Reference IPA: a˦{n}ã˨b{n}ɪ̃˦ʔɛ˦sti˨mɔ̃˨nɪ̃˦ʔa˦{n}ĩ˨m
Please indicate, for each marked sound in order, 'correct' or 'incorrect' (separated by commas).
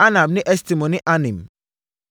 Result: correct, correct, correct